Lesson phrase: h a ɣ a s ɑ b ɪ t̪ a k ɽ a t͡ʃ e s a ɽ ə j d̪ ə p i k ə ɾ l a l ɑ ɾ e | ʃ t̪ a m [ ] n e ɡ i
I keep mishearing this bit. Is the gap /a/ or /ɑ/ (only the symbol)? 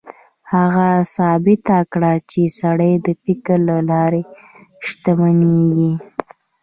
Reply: a